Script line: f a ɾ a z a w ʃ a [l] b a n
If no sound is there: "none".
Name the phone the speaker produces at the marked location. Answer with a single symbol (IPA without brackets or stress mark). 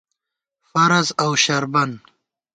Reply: ɾ